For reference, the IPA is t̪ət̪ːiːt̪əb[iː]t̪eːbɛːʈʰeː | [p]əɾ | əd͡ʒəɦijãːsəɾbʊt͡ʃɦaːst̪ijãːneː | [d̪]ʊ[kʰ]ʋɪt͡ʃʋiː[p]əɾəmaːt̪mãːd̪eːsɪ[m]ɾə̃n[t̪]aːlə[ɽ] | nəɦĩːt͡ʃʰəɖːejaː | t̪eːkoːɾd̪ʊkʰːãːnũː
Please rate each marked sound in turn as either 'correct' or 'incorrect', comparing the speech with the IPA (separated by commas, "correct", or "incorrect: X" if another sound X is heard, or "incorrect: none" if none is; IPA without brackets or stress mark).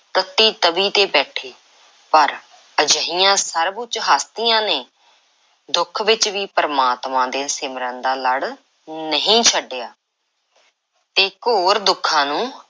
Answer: correct, correct, correct, correct, correct, correct, incorrect: d̪, correct